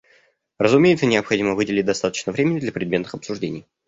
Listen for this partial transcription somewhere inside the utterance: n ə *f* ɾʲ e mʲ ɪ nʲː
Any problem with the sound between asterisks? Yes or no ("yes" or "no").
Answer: yes